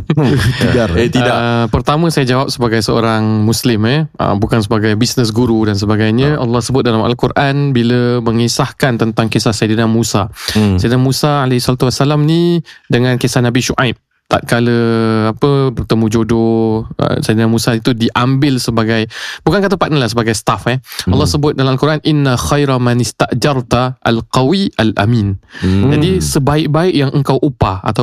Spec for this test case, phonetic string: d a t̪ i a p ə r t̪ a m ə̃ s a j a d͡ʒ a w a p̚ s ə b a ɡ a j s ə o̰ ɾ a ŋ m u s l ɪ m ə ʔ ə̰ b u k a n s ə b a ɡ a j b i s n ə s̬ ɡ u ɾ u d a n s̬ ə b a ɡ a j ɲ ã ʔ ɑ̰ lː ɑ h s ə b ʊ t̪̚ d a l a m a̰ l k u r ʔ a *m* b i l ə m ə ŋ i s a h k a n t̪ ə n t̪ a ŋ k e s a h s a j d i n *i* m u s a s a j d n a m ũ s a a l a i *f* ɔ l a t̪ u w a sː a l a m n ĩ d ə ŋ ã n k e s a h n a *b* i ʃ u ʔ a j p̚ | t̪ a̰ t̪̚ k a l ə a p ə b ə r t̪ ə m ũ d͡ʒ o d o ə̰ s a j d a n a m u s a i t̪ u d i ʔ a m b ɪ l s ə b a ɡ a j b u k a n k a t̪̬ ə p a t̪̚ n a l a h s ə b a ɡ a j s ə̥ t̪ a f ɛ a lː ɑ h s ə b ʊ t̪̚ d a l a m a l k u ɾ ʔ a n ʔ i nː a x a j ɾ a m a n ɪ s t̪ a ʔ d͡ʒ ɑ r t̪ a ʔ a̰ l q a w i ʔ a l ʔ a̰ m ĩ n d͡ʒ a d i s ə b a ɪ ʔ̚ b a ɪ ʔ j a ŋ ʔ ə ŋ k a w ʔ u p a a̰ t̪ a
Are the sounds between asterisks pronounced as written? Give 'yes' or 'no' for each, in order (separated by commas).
no, no, no, yes